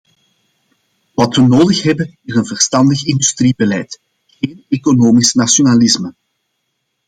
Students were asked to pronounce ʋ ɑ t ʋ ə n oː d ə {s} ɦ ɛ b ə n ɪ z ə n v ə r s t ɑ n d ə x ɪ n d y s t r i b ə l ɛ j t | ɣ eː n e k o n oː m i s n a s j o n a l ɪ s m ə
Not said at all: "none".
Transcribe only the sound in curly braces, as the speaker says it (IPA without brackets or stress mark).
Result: x